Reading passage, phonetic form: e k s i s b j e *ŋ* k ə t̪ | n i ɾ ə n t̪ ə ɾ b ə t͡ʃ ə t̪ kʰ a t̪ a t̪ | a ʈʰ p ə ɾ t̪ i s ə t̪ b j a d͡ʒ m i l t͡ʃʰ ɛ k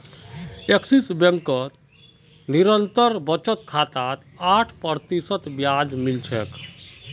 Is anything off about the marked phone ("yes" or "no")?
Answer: no